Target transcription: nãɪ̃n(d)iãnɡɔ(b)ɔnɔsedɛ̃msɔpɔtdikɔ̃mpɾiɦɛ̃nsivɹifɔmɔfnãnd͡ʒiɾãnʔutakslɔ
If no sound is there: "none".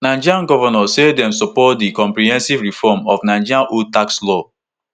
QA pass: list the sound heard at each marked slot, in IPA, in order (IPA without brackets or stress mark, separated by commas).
d͡ʒ, v